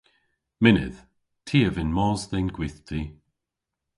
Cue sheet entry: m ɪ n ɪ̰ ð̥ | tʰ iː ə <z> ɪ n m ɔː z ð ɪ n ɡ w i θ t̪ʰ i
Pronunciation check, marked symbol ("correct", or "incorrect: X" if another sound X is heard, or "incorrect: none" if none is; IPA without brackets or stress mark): incorrect: v